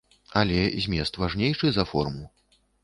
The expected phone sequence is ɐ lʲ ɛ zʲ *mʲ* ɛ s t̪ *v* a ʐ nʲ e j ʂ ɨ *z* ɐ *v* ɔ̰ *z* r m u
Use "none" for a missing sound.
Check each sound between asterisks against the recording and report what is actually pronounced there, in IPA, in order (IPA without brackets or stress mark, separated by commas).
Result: mʲ, v, z, f, none